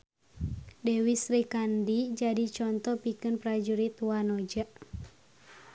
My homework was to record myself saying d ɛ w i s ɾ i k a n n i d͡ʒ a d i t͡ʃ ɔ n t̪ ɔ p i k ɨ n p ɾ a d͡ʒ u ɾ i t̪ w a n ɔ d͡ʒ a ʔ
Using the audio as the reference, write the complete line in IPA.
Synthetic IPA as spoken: d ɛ w i s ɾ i k a n d i d͡ʒ a d i t͡ʃ ɔ n t̪ ɔ p i k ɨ n p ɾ a d͡ʒ u ɾ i t̪ w a n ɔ d͡ʒ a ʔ